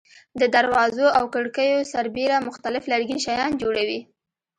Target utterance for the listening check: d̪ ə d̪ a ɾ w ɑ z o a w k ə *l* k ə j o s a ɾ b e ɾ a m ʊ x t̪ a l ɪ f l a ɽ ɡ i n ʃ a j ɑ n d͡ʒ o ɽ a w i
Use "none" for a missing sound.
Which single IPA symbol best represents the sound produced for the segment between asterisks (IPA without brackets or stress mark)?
ɽ